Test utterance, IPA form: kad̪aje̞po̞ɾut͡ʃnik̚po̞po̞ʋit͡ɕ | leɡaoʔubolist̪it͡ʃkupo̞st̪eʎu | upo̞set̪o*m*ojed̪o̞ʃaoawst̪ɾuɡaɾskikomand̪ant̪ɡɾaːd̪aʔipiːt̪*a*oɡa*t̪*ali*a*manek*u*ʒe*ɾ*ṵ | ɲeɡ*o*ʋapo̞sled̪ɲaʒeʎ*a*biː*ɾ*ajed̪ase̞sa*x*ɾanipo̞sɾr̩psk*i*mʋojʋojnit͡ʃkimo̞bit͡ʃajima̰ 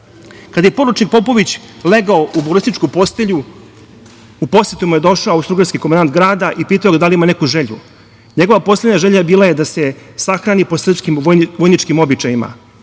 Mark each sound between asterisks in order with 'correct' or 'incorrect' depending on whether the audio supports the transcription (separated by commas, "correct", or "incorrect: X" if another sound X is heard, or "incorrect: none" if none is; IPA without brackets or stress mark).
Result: correct, correct, incorrect: d̪, incorrect: i, correct, incorrect: ʎ, correct, correct, incorrect: l, correct, correct